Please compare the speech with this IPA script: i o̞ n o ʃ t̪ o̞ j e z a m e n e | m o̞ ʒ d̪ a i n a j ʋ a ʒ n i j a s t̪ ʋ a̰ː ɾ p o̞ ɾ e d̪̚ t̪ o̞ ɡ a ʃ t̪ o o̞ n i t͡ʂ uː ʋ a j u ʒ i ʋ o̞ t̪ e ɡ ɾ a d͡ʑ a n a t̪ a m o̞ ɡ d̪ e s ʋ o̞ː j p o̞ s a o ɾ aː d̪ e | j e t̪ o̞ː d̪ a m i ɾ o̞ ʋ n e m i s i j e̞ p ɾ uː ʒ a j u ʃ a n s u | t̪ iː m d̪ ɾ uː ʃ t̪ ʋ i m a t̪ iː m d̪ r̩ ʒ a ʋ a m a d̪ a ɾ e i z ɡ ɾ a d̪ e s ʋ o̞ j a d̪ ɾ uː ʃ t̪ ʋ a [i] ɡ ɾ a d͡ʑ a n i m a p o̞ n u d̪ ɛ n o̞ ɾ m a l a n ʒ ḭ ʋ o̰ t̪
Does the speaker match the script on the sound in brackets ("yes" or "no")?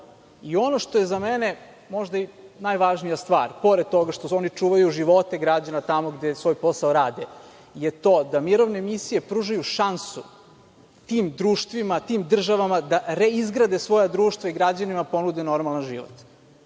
yes